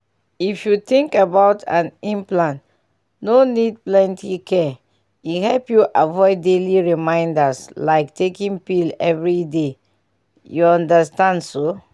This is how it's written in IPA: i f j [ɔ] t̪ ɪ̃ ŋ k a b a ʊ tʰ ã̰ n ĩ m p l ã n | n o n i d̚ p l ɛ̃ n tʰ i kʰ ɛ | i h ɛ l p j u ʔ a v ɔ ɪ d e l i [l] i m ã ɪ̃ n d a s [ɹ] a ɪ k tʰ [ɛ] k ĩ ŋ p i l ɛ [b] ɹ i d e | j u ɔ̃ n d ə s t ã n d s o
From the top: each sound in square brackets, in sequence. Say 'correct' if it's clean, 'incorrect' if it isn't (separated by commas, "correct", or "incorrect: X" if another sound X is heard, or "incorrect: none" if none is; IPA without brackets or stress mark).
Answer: incorrect: u, incorrect: ɹ, incorrect: l, incorrect: e, incorrect: v